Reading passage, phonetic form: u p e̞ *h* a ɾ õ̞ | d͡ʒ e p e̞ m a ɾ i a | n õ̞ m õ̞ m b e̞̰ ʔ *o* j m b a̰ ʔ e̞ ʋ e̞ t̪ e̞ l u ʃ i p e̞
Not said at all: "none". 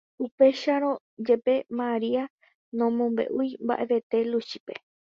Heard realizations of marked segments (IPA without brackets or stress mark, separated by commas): ʃ, u